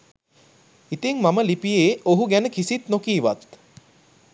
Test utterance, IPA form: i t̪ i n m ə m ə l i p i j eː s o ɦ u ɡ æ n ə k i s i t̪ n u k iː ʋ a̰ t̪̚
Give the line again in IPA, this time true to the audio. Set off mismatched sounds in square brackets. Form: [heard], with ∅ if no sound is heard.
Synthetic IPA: i t̪ i [ŋ] m [a] m ə l i p i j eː [∅] o ɦ u ɡ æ n ə k i s i t̪ n [o] k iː ʋ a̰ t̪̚